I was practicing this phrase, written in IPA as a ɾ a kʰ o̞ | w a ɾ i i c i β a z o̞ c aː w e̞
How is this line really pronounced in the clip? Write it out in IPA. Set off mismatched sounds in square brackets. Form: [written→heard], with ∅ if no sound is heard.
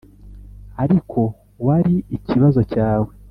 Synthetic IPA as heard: a ɾ [a→i] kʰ o̞ | w a ɾ i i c i β a z o̞ c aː w e̞